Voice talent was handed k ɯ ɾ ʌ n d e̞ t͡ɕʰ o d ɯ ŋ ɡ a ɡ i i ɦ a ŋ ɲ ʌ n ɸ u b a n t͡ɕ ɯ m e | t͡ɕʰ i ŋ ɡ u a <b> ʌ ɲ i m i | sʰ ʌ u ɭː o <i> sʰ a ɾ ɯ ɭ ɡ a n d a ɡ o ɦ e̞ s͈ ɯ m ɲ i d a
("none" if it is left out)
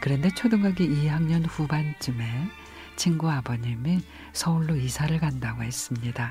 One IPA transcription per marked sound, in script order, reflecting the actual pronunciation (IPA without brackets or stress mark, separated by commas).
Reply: b, i